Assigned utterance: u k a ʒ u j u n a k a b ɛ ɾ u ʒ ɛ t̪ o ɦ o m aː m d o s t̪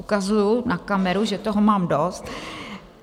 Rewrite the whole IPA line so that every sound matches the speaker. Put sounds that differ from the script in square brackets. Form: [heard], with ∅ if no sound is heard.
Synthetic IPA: u k a [z] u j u n a k a [m] ɛ ɾ u ʒ ɛ t̪ o ɦ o m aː m d o s t̪